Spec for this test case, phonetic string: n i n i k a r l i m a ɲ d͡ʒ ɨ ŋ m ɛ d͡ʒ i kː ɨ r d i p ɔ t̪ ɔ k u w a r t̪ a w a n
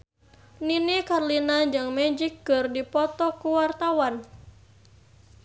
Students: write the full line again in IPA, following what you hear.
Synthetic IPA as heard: n i n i k a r l i n a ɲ d͡ʒ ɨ ŋ m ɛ d͡ʒ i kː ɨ r d i p ɔ t̪ ɔ k u w a r t̪ a w a n